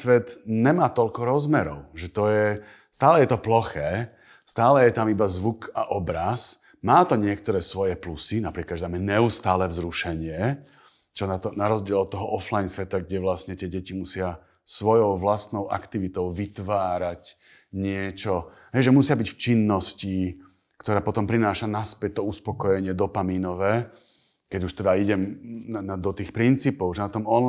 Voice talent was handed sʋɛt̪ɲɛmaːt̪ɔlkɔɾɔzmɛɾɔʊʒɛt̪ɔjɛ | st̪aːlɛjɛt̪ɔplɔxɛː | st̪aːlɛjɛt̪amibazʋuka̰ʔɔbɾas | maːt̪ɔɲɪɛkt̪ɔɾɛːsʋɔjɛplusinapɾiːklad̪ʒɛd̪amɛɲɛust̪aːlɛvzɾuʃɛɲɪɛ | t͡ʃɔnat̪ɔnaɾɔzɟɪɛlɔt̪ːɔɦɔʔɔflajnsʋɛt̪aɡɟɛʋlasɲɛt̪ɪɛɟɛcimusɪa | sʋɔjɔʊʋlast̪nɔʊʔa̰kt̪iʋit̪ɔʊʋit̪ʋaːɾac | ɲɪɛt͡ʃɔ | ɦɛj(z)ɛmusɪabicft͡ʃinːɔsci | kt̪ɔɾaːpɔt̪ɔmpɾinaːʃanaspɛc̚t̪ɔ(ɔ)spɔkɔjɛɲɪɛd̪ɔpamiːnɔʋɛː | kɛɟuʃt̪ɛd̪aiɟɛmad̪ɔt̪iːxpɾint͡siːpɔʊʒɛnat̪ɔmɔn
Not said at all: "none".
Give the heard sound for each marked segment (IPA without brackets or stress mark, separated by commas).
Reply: ʒ, u